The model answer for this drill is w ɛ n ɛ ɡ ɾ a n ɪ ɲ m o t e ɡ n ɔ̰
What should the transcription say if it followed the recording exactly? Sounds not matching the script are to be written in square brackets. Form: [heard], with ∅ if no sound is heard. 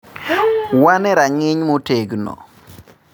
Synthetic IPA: w [a] n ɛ [∅] ɾ a [ŋ] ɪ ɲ m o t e ɡ n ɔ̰